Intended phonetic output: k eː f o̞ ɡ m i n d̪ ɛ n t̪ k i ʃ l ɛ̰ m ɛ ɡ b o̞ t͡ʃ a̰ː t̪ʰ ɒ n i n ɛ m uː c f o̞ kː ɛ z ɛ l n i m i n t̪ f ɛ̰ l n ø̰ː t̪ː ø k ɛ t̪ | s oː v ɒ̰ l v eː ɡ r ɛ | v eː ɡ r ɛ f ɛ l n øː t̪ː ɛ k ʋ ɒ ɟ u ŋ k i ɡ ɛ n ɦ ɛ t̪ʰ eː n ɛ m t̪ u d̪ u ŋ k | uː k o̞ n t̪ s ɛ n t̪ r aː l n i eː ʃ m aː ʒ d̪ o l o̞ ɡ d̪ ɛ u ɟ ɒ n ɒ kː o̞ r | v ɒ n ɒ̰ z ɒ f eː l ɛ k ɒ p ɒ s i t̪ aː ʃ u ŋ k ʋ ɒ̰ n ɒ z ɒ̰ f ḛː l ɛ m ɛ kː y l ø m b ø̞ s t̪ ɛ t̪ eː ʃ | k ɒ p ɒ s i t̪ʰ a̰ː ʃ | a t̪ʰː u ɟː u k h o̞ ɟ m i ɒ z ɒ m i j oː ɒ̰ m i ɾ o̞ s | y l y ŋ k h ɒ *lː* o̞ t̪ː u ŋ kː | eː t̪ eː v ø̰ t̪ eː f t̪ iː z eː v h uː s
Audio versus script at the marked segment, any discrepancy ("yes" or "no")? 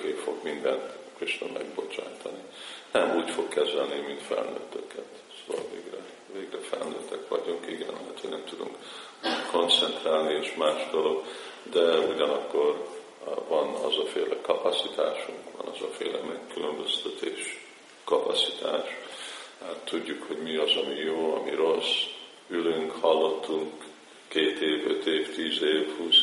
no